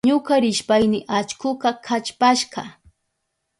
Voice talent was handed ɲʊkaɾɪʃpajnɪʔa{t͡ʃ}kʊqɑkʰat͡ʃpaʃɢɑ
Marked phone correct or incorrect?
correct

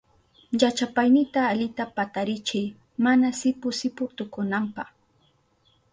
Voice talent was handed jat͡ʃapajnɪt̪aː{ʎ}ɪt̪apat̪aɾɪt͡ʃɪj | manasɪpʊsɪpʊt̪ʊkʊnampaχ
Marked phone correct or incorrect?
correct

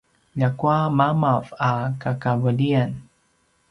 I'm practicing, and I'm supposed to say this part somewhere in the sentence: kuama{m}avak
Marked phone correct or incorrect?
correct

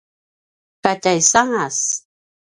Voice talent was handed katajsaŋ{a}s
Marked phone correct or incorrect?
correct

